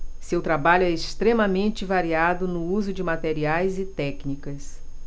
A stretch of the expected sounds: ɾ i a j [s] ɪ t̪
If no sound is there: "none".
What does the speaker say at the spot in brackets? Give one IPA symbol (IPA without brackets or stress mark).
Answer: z